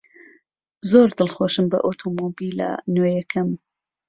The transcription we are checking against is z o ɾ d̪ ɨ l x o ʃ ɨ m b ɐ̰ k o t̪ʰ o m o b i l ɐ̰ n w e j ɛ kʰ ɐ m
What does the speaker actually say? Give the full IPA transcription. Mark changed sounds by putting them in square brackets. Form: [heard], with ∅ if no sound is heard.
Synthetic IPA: z o ɾ d̪ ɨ l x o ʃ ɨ m b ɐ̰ [ʔ] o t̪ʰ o m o b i l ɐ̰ n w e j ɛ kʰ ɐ m